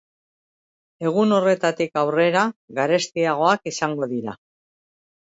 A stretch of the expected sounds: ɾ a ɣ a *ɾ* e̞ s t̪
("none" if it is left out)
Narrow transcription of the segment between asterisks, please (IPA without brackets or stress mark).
ɾ